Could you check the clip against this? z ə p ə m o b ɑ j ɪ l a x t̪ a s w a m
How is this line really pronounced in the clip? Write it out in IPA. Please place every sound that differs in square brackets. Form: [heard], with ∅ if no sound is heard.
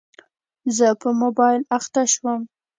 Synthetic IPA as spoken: z ə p ə m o b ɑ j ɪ l a x t̪ a [ʃ] w [ə] m